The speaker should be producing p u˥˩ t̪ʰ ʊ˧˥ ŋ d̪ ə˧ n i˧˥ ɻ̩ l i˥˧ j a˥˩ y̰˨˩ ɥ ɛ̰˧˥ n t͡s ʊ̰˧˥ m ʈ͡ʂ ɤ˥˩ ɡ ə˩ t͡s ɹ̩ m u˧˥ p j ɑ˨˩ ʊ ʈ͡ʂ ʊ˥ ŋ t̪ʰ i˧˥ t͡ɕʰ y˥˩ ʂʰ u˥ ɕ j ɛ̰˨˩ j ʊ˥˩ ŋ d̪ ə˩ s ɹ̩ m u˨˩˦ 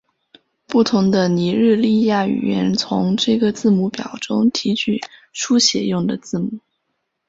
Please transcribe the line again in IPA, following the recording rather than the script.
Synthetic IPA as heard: p u˥˩ t̪ʰ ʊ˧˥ ŋ d̪ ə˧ n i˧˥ ɻ̩ l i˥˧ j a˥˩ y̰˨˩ ɥ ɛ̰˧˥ n t͡sʰ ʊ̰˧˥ ŋ ʈ͡ʂ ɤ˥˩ ɡ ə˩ t͡s ɹ̩ m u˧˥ p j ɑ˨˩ ʊ ʈ͡ʂ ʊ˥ ŋ t̪ʰ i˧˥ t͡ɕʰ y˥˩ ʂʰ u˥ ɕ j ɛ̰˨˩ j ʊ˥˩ ŋ d̪ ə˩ t͡s ɹ̩ m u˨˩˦

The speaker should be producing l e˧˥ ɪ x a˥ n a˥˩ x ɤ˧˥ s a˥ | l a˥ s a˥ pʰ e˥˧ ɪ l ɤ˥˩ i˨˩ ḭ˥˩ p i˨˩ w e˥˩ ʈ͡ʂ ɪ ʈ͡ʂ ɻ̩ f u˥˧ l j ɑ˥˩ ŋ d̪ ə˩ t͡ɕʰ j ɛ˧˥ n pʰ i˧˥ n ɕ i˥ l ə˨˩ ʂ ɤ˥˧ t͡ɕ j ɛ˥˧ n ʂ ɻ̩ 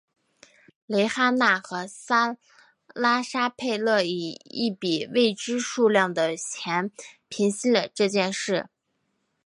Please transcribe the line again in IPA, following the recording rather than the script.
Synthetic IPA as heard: l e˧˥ ɪ x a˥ n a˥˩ x ɤ˧˥ s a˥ | l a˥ ʂ a˥ pʰ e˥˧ ɪ l ɤ˥˩ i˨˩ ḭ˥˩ p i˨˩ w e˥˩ ɪ ʈ͡ʂ ɻ̩ ʂ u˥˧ l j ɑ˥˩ ŋ d̪ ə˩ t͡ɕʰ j ɛ˧˥ n pʰ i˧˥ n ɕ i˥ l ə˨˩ ʈ͡ʂ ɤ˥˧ t͡ɕ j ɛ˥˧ n ʂ ɻ̩

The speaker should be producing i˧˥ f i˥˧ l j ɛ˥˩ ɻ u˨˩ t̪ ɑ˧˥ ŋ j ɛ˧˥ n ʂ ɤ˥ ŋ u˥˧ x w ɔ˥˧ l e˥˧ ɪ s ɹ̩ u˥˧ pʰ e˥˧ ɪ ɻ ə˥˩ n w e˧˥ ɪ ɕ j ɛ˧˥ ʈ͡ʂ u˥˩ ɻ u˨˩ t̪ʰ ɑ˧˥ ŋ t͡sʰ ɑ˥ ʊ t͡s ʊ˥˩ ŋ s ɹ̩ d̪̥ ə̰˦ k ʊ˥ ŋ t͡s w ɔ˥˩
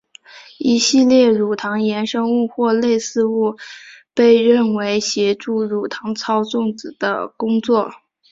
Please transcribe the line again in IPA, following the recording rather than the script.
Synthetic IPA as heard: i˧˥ ɕ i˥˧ l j ɛ˥˩ ɻ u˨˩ t̪ʰ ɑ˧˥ ŋ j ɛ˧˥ n ʂ ɤ˥ ŋ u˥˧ x w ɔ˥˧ l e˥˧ ɪ s ɹ̩ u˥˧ p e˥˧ ɪ ɻ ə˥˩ n w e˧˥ ɪ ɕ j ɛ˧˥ ʈ͡ʂ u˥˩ ɻ u˨˩ t̪ʰ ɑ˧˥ ŋ t͡sʰ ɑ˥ ʊ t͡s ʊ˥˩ ŋ t͡s ɹ̩ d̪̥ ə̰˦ k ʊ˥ ŋ t͡s w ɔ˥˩

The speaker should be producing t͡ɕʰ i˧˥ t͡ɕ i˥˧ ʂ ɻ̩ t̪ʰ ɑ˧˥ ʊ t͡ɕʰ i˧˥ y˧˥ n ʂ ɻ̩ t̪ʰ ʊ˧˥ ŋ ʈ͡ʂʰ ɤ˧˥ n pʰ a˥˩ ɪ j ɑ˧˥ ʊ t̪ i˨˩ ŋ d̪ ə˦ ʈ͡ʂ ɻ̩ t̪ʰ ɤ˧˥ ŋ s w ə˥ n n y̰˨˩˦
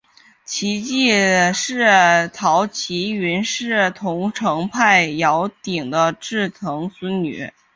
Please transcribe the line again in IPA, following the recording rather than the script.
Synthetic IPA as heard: t͡ɕʰ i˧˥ t͡ɕ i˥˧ ʂ ɻ̩ t̪ʰ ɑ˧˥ ʊ t͡ɕʰ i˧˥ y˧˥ n ʂ ɻ̩ t̪ʰ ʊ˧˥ ŋ ʈ͡ʂʰ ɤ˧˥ ŋ pʰ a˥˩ ɪ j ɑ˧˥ ʊ t̪ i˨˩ ŋ d̪ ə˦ ʈ͡ʂ ɻ̩ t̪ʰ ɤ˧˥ ŋ s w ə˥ n n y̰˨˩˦

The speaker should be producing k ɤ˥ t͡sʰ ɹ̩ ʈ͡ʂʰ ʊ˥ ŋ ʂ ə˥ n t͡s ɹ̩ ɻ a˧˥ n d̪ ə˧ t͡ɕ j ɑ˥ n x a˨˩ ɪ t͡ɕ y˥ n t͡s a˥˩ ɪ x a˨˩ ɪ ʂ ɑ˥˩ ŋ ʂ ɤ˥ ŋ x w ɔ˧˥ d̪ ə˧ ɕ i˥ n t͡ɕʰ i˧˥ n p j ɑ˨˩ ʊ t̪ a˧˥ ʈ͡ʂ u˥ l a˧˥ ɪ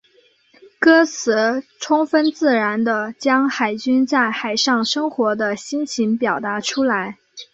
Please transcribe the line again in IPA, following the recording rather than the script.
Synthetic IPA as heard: k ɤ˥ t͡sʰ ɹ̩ ʈ͡ʂʰ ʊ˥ ŋ f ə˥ n t͡s ɹ̩ ɻ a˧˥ n d̪ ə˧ t͡ɕ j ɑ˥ ŋ x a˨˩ ɪ t͡ɕ y˥ n t͡s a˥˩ ɪ x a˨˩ ɪ ʂ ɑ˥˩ ŋ ʂ ɤ˥ ŋ x w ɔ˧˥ d̪ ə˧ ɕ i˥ n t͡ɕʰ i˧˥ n p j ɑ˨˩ ʊ t̪ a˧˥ ʈ͡ʂʰ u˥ l a˧˥ ɪ

